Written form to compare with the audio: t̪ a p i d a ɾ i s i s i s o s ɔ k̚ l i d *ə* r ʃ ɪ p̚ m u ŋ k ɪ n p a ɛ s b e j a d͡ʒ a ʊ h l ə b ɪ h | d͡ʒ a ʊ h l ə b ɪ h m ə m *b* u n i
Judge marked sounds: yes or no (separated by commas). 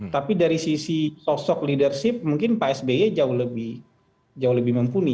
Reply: yes, no